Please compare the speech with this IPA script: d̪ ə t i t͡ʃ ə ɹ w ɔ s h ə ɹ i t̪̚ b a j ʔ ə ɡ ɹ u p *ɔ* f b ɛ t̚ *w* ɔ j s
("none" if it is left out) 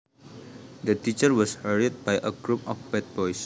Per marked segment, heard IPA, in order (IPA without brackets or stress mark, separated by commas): ɔ, b